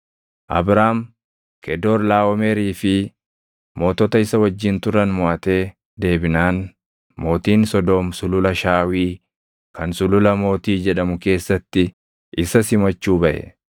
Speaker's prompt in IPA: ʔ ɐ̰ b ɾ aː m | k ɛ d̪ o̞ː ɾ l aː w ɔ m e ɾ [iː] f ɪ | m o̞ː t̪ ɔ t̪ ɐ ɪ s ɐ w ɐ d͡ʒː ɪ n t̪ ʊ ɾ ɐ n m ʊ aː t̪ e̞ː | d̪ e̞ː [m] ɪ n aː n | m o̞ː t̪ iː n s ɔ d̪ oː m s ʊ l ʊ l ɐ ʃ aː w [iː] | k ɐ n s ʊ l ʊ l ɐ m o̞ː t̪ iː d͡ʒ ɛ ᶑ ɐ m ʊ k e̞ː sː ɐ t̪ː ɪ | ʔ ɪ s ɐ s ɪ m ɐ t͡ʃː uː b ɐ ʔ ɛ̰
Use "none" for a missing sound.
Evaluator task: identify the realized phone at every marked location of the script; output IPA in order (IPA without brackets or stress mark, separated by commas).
iː, b, iː